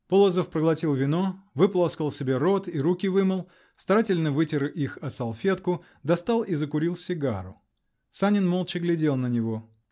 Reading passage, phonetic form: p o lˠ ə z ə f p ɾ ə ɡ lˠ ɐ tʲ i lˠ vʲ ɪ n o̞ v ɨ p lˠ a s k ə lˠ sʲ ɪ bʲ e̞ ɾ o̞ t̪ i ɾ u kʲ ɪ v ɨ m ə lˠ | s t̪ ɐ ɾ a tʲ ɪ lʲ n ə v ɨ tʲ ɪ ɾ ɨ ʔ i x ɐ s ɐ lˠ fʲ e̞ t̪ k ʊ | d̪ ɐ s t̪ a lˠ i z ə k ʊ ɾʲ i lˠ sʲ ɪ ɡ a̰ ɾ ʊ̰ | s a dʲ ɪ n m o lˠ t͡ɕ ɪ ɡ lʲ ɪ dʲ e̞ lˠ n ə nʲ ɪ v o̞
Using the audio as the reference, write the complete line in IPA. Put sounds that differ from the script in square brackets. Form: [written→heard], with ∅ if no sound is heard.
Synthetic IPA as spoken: p o lˠ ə z ə f p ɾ ə ɡ lˠ ɐ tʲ i lˠ vʲ ɪ n o̞ v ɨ p lˠ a s k ə lˠ sʲ ɪ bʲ e̞ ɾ o̞ t̪ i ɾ u kʲ ɪ v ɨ m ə lˠ | s t̪ ɐ ɾ a tʲ ɪ lʲ n ə v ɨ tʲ ɪ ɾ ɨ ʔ i x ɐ s ɐ lˠ fʲ e̞ t̪ k ʊ | d̪ ɐ s t̪ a lˠ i z ə k ʊ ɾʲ i lˠ sʲ ɪ ɡ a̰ ɾ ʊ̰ | s a [dʲ→nʲ] ɪ n m o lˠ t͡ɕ ɪ ɡ lʲ ɪ dʲ e̞ lˠ n ə nʲ ɪ v o̞